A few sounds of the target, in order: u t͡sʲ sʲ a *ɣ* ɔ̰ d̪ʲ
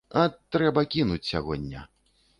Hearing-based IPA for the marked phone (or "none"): ɣ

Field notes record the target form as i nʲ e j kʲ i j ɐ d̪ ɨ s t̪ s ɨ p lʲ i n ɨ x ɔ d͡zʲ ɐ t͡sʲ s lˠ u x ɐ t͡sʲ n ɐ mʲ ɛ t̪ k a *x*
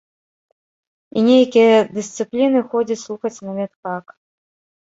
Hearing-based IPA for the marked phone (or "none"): k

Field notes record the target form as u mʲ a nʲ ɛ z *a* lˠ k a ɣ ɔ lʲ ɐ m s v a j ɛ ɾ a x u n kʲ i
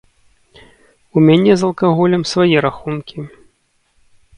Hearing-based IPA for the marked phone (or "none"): ɐ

